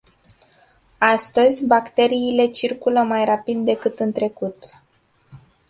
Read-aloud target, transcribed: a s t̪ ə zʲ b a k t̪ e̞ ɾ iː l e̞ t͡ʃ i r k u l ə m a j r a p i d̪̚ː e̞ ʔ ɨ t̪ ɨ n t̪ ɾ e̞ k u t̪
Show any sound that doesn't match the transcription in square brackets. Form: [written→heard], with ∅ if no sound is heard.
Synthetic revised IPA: a s t̪ ə zʲ b a k t̪ e̞ ɾ iː l e̞ t͡ʃ i r k u l ə m a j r a p i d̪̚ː e̞ [ʔ→k] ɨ t̪ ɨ n t̪ ɾ e̞ k u t̪